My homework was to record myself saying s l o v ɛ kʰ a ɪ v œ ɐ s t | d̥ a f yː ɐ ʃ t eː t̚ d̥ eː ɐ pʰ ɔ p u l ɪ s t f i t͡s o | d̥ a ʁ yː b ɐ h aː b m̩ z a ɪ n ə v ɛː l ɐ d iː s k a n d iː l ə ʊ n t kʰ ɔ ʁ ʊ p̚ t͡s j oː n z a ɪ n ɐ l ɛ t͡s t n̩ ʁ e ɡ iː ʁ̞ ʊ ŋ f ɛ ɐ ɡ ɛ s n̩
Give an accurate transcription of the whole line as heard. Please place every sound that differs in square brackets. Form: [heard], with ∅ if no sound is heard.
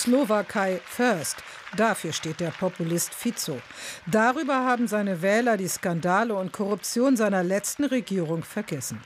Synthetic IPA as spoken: s l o v [a] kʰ a ɪ [f] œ ɐ s t | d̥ a f yː ɐ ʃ t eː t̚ d̥ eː ɐ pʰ ɔ p u l ɪ s t f i t͡s o | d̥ a ʁ yː b ɐ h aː b m̩ z a ɪ n ə v ɛː l ɐ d iː s k a n d [aː] l ə ʊ n t kʰ ɔ ʁ ʊ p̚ t͡s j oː n z a ɪ n ɐ l ɛ t͡s t n̩ ʁ e ɡ iː ʁ̞ ʊ ŋ f ɛ ɐ ɡ ɛ s n̩